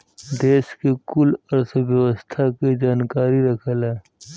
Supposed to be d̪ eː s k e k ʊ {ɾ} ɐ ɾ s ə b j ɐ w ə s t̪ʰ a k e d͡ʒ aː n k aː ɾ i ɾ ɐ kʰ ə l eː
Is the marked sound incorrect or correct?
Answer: incorrect